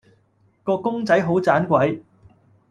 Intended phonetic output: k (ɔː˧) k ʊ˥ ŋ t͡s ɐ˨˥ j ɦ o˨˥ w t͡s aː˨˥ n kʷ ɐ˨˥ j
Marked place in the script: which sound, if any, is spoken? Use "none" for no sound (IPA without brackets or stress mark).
ɔː˧